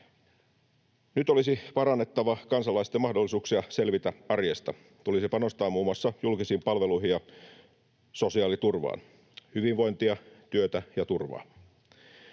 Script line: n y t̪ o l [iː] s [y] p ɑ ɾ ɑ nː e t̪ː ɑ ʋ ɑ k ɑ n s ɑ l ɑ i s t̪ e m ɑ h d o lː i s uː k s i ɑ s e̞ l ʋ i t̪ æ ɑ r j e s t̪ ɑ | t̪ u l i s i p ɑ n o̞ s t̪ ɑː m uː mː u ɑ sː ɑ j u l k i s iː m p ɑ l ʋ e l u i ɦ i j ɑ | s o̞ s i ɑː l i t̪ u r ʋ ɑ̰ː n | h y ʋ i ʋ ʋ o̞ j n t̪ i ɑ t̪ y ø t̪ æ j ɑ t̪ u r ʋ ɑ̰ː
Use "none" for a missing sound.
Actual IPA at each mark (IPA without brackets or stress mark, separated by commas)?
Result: i, i